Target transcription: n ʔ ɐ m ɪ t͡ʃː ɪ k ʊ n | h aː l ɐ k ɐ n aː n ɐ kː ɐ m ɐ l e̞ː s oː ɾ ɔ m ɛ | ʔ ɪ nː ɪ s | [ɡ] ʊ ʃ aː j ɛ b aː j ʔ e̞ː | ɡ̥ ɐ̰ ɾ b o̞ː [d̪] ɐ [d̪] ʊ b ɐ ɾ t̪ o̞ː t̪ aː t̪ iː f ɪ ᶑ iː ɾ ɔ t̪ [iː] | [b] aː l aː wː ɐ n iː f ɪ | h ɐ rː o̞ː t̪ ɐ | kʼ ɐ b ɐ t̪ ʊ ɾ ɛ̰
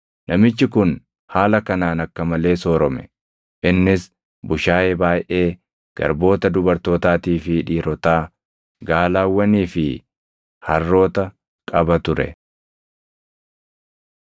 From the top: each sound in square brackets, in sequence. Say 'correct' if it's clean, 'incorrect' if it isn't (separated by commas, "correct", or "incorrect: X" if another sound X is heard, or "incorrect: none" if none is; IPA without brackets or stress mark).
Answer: incorrect: b, incorrect: t̪, correct, incorrect: aː, incorrect: ɡ